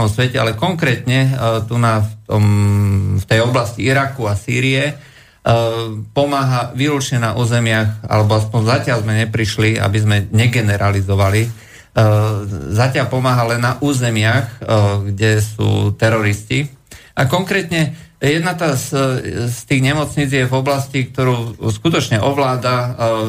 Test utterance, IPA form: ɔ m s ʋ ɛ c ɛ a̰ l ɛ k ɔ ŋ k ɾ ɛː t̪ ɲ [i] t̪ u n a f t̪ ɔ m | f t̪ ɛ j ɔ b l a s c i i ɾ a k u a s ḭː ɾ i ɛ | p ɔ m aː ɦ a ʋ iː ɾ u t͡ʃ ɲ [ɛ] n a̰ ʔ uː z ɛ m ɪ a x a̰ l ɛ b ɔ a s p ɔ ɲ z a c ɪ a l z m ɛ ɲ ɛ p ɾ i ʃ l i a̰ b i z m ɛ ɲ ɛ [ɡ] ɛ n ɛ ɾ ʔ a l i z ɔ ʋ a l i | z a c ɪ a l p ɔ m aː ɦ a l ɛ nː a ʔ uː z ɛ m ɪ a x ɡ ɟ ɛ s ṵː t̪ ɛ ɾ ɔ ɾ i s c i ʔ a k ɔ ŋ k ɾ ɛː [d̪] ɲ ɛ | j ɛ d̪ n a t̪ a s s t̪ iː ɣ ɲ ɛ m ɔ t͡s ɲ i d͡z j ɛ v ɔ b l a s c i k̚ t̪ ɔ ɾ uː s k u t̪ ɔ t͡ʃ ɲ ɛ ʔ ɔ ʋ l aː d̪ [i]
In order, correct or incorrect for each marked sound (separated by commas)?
incorrect, correct, correct, incorrect, incorrect